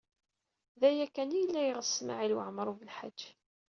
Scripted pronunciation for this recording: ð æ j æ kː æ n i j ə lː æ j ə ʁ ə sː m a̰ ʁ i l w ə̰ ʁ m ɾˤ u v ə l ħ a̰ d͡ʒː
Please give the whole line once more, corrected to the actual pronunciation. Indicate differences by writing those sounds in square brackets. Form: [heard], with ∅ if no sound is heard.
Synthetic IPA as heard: ð æ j æ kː æ n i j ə lː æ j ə ʁ ə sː m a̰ [ʕ] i l w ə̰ [ʕ] m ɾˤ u v ə l ħ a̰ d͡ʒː